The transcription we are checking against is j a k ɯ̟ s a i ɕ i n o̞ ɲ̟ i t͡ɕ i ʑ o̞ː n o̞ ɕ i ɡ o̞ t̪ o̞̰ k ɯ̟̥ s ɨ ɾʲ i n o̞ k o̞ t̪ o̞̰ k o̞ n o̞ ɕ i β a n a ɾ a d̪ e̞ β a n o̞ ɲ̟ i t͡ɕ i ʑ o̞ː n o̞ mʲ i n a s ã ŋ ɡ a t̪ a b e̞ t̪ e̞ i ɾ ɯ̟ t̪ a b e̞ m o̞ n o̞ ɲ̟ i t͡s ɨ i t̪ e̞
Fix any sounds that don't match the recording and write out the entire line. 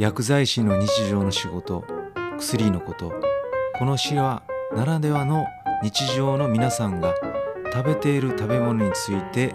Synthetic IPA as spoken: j a k ɯ̟ z a i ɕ i n o̞ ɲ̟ i t͡ɕ i ʑ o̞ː n o̞ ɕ i ɡ o̞ t̪ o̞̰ k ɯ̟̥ s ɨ ɾʲ i n o̞ k o̞ t̪ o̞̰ k o̞ n o̞ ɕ i β a n a ɾ a d̪ e̞ β a n o̞ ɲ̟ i t͡ɕ i ʑ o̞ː n o̞ mʲ i n a s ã ŋ ɡ a t̪ a b e̞ t̪ e̞ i ɾ ɯ̟ t̪ a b e̞ m o̞ n o̞ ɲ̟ i t͡s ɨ i t̪ e̞